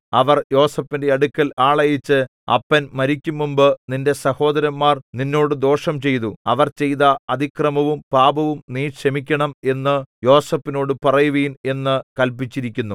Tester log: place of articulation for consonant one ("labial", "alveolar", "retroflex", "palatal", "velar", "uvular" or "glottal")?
labial